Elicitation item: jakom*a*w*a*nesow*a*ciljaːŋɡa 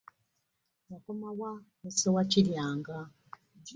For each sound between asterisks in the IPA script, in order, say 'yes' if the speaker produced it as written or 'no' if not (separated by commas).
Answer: yes, yes, yes